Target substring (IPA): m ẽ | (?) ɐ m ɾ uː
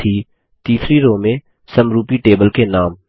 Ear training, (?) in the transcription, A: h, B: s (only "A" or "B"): B